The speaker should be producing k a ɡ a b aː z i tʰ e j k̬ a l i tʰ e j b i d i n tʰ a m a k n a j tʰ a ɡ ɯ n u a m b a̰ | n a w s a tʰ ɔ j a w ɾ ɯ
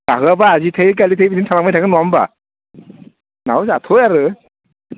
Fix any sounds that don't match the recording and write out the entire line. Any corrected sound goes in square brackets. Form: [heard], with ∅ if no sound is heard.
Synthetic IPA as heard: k a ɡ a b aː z i tʰ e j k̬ a l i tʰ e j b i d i n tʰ a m a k [m] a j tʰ a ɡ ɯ n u a m b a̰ | n a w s a tʰ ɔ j a [∅] ɾ ɯ